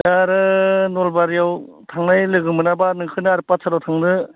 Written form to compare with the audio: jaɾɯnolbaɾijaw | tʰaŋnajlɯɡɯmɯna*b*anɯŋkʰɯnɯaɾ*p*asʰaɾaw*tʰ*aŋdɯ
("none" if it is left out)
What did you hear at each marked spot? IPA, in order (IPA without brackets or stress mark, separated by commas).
b, p, tʰ